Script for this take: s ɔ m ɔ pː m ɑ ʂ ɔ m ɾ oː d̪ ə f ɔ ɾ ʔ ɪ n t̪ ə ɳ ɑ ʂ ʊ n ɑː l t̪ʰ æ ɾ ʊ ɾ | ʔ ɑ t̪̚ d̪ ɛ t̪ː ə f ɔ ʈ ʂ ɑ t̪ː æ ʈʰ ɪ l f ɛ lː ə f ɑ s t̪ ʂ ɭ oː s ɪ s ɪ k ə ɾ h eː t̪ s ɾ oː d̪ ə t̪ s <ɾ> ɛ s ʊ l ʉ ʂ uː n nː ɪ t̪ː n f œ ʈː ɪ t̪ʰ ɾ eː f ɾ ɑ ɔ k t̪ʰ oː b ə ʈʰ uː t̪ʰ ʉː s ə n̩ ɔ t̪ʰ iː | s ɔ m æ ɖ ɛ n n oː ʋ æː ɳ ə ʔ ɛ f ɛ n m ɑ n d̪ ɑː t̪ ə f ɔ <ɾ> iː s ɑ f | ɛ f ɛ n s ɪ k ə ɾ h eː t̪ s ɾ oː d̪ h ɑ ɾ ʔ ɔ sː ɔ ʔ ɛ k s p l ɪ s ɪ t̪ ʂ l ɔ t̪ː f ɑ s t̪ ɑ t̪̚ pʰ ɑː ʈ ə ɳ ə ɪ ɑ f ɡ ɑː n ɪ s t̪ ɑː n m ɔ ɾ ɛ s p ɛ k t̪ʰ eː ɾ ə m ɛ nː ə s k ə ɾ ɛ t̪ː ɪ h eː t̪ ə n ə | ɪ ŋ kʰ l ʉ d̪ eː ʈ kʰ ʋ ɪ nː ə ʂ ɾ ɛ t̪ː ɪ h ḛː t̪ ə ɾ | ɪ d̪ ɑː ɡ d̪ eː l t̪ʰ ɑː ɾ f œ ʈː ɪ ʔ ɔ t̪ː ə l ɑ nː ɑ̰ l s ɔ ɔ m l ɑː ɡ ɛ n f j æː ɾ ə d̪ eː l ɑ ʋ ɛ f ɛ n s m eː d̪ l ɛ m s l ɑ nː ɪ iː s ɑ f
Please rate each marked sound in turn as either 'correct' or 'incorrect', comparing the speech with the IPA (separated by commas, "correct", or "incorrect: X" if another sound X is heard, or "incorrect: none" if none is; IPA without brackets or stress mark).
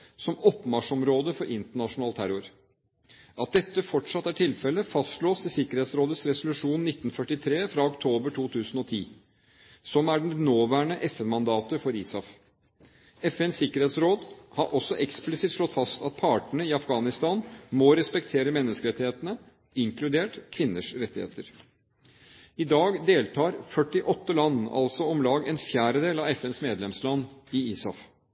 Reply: correct, correct